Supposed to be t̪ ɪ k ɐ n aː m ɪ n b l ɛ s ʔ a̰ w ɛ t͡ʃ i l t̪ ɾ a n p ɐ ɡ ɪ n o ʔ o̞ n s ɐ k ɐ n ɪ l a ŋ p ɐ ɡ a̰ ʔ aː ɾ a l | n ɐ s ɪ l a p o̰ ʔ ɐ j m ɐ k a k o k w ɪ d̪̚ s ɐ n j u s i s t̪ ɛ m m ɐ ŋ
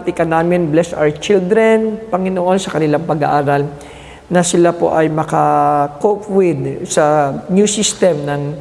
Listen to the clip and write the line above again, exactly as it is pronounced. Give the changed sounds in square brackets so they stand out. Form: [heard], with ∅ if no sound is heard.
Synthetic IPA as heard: t̪ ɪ k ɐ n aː m ɪ n b l ɛ s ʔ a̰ w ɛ t͡ʃ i l [d̪] ɾ [ɛ] n p ɐ [ŋ] ɪ n o ʔ o̞ n s ɐ k ɐ n ɪ l a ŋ p ɐ ɡ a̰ ʔ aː ɾ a l | n ɐ s ɪ l a p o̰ ʔ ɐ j m ɐ k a k o [p] w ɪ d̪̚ s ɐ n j u s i s t̪ ɛ m [n] ɐ ŋ